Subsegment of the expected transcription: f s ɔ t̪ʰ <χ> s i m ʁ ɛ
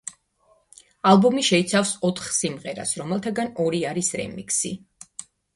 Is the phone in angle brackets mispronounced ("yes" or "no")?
no